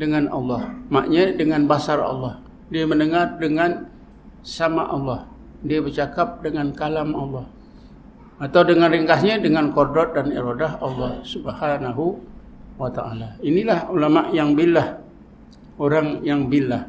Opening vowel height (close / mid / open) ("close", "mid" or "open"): mid